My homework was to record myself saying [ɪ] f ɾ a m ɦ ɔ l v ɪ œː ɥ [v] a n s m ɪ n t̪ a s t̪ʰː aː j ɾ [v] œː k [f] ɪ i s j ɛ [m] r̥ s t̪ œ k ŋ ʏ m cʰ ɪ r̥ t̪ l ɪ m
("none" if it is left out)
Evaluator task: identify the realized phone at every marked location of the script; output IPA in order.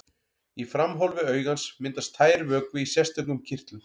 i, ɣ, v, v, none

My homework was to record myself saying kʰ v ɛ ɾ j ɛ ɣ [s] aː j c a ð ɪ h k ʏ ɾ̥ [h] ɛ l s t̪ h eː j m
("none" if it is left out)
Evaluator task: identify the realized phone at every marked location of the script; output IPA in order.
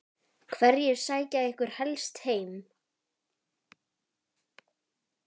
s, h

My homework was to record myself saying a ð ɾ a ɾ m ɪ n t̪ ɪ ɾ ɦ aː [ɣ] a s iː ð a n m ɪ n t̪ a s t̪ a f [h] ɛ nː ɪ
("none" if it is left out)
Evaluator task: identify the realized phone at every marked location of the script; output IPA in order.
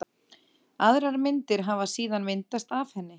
v, h

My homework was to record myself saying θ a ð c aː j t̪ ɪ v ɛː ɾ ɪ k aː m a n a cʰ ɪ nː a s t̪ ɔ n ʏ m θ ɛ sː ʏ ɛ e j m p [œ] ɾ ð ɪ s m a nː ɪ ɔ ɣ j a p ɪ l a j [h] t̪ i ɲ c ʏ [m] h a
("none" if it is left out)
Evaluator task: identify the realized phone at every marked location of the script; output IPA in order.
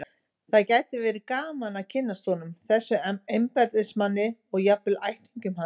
ɛ, h, m

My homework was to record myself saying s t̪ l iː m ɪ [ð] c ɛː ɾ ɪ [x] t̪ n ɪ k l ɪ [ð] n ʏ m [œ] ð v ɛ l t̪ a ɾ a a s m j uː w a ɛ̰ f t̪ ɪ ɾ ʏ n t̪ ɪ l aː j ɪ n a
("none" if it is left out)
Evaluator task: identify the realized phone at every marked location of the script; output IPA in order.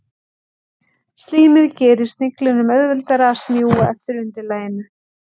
ð, s, none, œ

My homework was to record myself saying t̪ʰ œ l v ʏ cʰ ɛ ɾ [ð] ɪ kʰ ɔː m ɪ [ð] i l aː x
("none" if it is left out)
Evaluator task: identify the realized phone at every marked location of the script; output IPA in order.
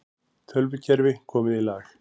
v, ð

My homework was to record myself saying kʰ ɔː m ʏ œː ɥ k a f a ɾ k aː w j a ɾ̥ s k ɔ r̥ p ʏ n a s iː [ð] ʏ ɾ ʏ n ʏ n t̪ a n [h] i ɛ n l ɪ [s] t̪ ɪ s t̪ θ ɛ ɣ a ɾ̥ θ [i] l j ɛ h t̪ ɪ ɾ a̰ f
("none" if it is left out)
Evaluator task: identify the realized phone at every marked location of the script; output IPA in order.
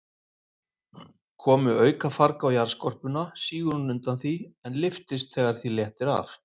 ɣ, θ, f, i

